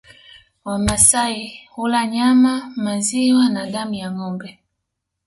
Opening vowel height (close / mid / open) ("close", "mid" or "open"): open